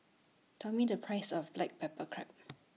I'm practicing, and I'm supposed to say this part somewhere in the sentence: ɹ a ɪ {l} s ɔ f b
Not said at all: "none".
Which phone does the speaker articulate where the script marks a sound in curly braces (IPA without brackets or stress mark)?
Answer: none